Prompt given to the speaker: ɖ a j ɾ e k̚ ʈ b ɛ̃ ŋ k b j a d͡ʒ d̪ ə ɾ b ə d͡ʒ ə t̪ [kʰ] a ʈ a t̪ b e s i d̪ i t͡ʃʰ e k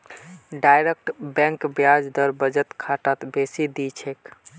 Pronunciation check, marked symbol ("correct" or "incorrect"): correct